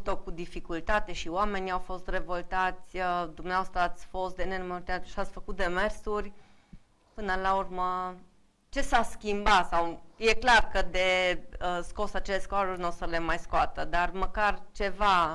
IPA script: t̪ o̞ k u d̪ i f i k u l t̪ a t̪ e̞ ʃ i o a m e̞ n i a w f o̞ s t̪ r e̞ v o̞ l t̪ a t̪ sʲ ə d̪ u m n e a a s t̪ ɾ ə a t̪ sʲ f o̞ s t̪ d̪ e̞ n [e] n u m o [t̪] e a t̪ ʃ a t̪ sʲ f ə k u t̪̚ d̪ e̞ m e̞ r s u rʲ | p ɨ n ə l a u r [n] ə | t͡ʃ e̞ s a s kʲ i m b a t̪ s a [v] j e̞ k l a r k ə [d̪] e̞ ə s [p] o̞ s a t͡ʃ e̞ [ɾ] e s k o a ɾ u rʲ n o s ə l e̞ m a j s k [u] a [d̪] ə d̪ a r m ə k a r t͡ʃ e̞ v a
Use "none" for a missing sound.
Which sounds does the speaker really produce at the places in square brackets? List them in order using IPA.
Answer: e, t̪, m, w, d̪, k, l, o, t̪

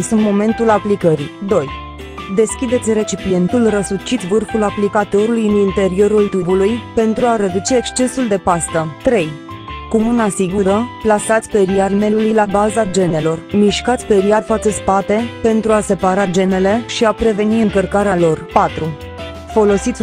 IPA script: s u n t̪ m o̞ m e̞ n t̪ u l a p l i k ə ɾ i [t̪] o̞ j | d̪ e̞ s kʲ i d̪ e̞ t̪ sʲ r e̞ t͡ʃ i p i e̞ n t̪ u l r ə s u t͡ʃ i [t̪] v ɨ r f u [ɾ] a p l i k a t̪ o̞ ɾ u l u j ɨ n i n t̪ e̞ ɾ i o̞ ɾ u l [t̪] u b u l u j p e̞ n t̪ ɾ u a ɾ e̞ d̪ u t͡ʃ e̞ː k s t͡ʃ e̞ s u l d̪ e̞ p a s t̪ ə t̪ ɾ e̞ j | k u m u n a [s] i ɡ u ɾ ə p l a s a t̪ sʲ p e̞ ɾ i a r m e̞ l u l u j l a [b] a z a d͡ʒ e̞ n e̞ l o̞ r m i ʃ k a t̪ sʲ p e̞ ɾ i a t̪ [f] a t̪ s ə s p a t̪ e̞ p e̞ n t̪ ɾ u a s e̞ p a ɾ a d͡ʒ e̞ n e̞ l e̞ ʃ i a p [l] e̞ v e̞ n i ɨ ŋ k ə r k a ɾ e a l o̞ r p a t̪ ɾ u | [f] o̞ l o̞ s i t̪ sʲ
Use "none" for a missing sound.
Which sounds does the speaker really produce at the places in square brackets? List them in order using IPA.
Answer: d̪, t̪, l, t̪, s, b, f, ɾ, f

